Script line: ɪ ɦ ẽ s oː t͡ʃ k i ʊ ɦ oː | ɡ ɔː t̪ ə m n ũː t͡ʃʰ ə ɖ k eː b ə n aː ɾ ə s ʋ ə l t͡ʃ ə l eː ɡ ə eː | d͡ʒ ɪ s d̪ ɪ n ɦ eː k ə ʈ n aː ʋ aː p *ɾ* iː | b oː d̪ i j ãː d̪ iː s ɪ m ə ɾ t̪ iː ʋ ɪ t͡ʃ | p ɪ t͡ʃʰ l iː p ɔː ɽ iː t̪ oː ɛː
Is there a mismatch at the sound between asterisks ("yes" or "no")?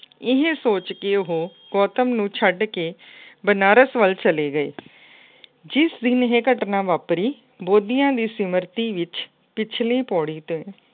no